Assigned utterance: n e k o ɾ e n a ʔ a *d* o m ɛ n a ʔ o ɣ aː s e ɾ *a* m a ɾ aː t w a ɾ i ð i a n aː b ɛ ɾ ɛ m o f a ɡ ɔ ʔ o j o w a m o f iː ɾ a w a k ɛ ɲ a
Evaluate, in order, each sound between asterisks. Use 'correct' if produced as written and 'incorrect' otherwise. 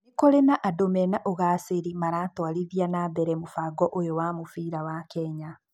correct, incorrect: i

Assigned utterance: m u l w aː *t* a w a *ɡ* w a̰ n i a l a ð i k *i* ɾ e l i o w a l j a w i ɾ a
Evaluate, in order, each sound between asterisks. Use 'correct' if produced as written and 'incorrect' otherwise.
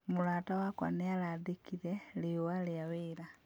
correct, incorrect: k, correct

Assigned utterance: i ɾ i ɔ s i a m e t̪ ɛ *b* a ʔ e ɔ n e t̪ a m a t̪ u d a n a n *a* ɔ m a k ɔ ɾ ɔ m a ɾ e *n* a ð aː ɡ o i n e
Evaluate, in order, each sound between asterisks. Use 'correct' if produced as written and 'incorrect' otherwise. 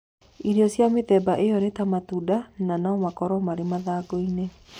correct, correct, incorrect: m

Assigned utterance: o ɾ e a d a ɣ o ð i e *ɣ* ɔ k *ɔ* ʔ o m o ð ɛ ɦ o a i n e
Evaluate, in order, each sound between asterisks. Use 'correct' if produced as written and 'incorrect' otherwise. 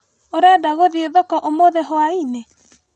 incorrect: ð, correct

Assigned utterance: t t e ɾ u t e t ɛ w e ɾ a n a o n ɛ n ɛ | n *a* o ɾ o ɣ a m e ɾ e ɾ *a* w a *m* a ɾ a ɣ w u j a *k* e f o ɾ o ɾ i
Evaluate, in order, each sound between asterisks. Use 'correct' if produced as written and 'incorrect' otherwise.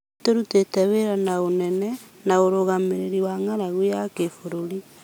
correct, incorrect: i, incorrect: ŋ, correct

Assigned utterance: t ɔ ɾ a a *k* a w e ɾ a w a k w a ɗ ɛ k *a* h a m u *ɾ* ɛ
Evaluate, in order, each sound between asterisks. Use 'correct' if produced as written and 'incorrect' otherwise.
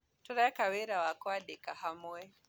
correct, correct, incorrect: none

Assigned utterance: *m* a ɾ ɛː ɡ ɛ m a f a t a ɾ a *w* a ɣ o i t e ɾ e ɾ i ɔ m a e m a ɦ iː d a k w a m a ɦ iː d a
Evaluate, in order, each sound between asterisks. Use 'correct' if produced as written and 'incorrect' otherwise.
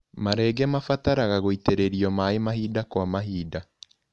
correct, incorrect: ɣ

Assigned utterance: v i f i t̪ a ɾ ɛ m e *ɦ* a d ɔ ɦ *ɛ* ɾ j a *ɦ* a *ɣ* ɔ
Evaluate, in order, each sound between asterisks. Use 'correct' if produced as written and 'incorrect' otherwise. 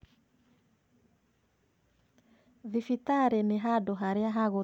correct, incorrect: a, correct, correct

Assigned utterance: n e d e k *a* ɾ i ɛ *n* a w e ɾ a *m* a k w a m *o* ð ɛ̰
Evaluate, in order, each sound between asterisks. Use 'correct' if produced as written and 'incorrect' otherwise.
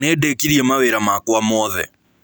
incorrect: i, incorrect: m, correct, incorrect: ɔ

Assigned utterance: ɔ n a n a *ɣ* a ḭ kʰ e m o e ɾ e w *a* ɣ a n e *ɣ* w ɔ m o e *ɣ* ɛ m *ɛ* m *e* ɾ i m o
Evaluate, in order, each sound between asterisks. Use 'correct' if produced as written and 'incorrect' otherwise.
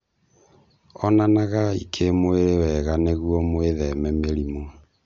correct, incorrect: ɛ, correct, incorrect: ð, correct, correct

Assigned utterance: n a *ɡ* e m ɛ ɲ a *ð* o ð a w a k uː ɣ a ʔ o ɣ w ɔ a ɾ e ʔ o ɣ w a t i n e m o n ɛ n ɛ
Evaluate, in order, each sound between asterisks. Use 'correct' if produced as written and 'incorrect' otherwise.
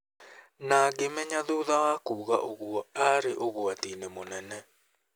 correct, correct

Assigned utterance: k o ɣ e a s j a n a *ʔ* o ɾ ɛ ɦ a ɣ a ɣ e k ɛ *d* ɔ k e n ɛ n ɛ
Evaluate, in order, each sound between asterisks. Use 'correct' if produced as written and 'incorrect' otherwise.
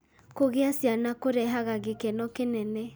incorrect: k, incorrect: n

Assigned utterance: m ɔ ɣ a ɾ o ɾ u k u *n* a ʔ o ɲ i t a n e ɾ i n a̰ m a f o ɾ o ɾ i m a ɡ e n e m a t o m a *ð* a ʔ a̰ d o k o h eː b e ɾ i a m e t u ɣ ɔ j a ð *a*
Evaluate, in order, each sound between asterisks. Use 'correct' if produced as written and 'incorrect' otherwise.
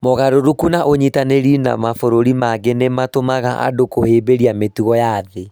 correct, incorrect: ɣ, incorrect: e

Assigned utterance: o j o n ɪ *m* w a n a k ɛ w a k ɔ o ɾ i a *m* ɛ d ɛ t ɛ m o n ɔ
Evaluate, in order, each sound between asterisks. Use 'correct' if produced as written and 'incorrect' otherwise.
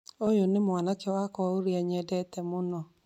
correct, incorrect: ɲ

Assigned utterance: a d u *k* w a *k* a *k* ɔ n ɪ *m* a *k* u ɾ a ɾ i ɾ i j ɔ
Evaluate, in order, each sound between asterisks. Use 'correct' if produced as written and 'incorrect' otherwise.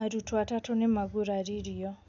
incorrect: t, incorrect: t, incorrect: t, correct, incorrect: ɡ

